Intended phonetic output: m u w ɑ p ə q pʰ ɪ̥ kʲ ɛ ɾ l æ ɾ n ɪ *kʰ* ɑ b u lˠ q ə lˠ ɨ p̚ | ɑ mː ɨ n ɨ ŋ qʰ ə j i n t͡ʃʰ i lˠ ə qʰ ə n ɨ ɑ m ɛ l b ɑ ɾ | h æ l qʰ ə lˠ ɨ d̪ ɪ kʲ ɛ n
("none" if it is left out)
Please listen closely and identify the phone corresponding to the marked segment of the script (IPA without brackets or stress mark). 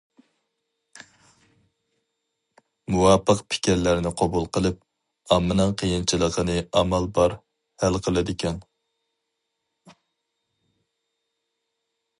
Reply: qʰ